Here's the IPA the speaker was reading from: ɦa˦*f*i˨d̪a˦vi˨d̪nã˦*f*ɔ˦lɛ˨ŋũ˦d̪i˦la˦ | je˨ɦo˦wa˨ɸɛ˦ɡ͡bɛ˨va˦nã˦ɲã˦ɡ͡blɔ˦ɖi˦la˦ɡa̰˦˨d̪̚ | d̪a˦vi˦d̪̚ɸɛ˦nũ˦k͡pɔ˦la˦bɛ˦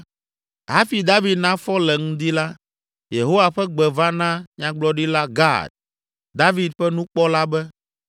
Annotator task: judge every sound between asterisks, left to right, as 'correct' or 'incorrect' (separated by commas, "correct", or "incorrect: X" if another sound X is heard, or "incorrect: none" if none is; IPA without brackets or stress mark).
correct, correct